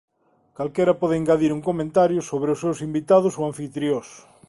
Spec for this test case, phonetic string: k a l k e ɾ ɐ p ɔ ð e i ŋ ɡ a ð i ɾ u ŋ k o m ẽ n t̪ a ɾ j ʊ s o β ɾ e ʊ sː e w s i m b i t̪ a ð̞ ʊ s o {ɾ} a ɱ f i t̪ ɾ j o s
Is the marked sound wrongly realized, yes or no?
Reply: yes